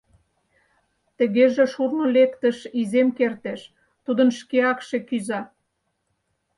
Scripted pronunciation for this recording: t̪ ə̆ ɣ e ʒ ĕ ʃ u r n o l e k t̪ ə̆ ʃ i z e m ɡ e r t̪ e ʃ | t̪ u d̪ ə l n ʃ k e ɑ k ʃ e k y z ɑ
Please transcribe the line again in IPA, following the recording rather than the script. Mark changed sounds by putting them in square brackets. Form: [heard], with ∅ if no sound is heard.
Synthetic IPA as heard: t̪ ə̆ ɣ e ʒ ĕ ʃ u r n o l e k t̪ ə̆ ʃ i z e m [k] e r t̪ e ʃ | t̪ u d̪ ə [∅] n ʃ k e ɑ k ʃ e k y z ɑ

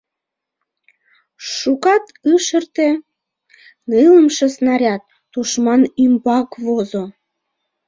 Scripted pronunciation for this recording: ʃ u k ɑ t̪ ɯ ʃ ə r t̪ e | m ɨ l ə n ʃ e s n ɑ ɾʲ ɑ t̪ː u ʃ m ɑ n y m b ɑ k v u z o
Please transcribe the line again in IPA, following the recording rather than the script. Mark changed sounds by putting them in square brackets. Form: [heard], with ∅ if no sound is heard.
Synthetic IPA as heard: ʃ u k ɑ t̪ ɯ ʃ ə r t̪ e | [n] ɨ l ə [m] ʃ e s n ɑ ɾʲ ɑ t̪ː u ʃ m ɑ n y m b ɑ k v [o] z o

